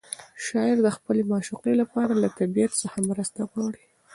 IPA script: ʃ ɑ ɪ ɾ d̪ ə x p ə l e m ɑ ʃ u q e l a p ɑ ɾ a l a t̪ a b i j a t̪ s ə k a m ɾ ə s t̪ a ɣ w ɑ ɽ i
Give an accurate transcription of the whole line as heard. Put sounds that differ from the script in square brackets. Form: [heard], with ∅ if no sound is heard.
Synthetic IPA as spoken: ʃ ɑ ɪ ɾ d̪ ə x p ə l e m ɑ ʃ u q e l a p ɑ ɾ a l a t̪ a b i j a t̪ s ə [x] a m ɾ ə s t̪ a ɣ w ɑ ɽ i